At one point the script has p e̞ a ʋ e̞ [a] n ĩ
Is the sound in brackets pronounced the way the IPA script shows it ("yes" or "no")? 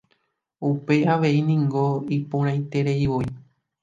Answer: no